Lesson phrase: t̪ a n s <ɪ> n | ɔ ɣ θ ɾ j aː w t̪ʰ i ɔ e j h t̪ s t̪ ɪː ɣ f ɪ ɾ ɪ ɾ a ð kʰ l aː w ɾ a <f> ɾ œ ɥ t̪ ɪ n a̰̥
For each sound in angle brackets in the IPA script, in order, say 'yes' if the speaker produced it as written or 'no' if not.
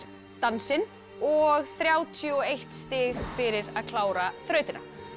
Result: yes, no

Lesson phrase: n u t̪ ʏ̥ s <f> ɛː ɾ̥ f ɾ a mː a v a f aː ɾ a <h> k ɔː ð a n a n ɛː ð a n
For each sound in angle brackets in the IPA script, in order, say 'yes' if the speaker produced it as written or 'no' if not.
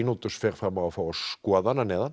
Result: yes, no

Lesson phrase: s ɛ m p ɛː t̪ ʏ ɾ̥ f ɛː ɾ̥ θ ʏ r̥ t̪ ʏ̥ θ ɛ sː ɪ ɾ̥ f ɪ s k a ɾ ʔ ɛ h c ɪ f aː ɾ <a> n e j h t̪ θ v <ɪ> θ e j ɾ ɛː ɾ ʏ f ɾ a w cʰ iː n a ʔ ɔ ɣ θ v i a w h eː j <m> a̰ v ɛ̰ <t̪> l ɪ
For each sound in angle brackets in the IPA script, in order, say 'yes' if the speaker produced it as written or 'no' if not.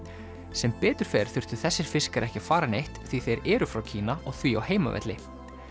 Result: yes, no, yes, yes

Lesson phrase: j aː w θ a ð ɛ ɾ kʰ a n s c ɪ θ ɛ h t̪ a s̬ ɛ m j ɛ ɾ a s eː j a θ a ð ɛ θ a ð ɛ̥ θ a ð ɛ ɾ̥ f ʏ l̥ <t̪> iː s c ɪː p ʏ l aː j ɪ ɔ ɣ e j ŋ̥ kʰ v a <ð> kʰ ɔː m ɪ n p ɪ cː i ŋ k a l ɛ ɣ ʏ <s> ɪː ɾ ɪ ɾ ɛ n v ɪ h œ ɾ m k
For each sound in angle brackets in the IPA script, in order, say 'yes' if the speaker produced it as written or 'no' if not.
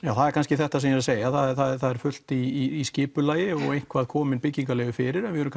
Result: yes, yes, no

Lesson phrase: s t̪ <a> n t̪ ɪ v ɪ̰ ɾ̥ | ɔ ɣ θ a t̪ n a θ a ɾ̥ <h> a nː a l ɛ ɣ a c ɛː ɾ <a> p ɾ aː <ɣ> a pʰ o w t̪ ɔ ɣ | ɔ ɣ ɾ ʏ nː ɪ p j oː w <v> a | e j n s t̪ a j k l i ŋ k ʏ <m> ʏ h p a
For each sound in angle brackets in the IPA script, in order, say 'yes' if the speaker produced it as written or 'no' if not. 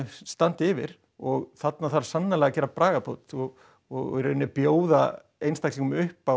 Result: yes, no, yes, yes, no, yes

